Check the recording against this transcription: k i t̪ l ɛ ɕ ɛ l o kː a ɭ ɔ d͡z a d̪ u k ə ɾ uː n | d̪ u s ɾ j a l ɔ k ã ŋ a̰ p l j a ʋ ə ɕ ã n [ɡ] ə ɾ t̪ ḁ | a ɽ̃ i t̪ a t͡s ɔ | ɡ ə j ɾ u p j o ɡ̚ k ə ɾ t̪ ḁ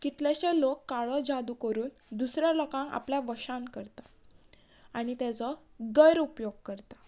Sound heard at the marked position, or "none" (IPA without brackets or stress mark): k